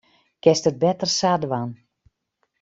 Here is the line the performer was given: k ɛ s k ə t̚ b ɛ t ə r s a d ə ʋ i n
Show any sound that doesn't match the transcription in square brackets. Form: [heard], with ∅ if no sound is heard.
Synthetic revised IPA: k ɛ s [t] ə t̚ b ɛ t ə r s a d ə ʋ [a] n